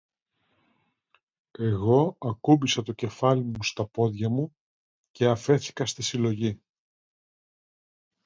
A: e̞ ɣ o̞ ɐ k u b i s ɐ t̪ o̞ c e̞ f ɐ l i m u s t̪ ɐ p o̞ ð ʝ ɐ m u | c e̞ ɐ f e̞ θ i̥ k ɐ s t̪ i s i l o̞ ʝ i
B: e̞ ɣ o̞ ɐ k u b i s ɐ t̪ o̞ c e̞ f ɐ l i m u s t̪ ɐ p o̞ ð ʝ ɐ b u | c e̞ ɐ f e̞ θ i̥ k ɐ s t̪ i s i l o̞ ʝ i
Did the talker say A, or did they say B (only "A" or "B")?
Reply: A